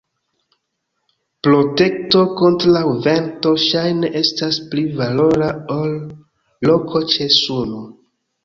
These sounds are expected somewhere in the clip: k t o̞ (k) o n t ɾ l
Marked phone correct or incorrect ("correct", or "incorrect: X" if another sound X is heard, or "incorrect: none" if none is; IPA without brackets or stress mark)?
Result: correct